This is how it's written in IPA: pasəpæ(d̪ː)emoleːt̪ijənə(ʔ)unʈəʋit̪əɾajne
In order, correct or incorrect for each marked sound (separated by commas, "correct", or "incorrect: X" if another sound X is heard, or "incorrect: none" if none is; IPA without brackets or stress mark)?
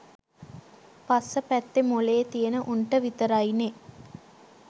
incorrect: t̪ː, correct